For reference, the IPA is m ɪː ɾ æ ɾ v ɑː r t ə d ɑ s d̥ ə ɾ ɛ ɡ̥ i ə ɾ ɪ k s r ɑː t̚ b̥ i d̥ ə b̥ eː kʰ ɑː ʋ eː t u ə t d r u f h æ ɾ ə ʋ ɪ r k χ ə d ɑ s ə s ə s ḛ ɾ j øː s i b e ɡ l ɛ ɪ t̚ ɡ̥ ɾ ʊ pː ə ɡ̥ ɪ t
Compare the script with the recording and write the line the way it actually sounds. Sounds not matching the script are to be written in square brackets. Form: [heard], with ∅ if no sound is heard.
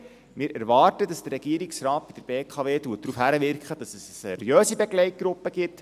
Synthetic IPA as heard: m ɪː ɾ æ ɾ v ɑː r t ə d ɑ s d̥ ə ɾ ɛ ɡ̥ i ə ɾ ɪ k s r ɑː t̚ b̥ i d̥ ə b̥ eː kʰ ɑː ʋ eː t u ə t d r u f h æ ɾ ə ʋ ɪ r k χ ə d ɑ s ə s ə s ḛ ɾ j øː s i b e ɡ l ɛ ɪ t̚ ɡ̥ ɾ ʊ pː ə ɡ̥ ɪ t